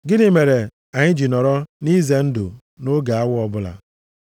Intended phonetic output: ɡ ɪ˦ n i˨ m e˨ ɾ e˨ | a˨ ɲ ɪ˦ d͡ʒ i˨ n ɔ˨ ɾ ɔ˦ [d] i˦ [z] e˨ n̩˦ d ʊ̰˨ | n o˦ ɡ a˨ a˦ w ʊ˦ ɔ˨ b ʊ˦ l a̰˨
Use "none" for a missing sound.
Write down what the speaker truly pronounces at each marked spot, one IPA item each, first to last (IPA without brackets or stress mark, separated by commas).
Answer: n, z